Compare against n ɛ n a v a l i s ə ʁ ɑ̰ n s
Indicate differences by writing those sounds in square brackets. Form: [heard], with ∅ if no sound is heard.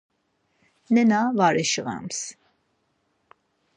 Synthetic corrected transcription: n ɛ n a v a [ɾ] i [ʃ] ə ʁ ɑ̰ [m] s

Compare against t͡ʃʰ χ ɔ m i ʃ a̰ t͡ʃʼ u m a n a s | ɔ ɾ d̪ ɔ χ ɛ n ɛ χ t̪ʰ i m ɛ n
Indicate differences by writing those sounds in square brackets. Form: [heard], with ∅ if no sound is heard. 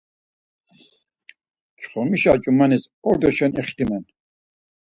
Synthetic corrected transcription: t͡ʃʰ χ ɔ m i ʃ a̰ t͡ʃʼ u m a n [i] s | ɔ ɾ d̪ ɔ [ʃ] ɛ n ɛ χ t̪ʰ i m ɛ n

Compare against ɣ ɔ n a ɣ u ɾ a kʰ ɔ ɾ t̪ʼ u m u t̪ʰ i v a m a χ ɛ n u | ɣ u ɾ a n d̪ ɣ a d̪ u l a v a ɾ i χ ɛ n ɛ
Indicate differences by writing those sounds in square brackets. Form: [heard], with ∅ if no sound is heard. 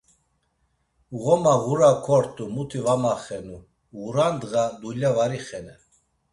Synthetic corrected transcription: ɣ ɔ [m] a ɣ u ɾ a kʰ ɔ ɾ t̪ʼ u m u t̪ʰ i v a m a χ ɛ n u | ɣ u ɾ a n d̪ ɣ a d̪ u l a v a ɾ i χ ɛ n ɛ

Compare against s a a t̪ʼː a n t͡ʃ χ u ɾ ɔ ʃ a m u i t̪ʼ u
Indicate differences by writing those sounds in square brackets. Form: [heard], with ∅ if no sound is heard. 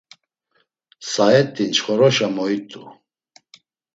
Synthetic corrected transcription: s a [ɛ] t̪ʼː [i] n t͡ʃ χ [ɔ] ɾ ɔ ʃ a m [ɔ] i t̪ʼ u

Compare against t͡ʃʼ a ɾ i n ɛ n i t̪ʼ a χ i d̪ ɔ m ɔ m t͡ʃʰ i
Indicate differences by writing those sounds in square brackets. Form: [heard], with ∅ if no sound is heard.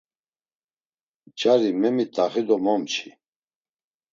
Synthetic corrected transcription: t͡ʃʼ a ɾ i [m] ɛ [m] i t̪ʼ a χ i d̪ ɔ m ɔ m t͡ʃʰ i

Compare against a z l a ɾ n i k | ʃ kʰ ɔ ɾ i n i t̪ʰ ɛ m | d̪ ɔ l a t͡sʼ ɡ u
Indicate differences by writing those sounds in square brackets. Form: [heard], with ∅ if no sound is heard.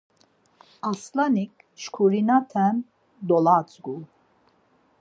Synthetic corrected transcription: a [s] l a [∅] n i k | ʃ kʰ [u] ɾ i n [a] t̪ʰ ɛ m | d̪ ɔ l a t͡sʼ ɡ u

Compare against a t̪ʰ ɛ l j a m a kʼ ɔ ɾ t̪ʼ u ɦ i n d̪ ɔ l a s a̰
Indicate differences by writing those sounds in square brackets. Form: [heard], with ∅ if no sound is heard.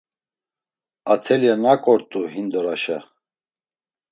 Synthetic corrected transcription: a t̪ʰ ɛ l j a [n] a kʼ ɔ ɾ t̪ʼ u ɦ i n d̪ ɔ [ɾ] a [ʃ] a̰

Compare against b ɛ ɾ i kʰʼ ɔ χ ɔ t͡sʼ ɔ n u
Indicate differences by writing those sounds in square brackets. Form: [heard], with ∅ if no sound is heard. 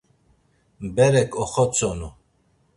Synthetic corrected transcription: b ɛ ɾ [ɛ] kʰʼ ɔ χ ɔ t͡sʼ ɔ n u

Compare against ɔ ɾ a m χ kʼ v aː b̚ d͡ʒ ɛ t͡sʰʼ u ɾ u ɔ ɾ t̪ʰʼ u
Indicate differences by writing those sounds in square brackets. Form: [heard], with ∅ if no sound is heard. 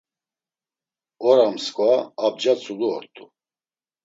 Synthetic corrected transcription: ɔ ɾ a m [s] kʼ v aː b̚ d͡ʒ [a] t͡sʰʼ u [l] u ɔ ɾ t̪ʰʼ u

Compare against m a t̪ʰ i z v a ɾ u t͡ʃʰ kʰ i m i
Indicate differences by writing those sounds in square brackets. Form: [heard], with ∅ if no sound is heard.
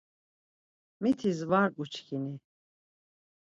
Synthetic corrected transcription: m [i] t̪ʰ i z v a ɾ u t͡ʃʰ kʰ i [n] i

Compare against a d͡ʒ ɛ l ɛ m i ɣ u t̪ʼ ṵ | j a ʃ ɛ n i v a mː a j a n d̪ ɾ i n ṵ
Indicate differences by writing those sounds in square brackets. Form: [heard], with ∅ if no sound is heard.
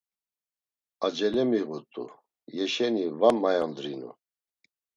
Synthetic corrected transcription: a d͡ʒ ɛ l ɛ m i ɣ u t̪ʼ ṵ | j [ɛ] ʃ ɛ n i v a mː a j a n d̪ ɾ i n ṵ

